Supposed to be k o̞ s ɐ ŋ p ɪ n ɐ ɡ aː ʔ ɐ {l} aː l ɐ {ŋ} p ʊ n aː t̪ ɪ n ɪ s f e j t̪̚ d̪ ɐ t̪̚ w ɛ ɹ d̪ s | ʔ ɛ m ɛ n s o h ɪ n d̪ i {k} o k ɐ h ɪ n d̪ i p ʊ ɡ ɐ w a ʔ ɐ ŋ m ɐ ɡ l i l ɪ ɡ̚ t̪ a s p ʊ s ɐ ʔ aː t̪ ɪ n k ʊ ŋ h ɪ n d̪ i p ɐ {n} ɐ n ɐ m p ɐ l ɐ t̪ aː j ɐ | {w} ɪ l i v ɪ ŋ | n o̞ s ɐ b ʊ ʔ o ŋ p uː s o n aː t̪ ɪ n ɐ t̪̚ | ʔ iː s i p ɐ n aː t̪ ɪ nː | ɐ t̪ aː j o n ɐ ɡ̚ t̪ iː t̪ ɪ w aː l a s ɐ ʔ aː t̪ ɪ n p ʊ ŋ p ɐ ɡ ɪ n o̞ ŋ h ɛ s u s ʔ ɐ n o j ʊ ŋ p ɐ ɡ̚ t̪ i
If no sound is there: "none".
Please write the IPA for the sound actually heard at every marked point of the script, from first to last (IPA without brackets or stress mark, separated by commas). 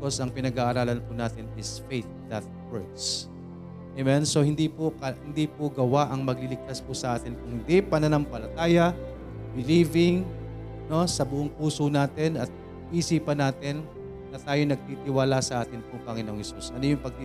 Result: ɾ, n, p, n, b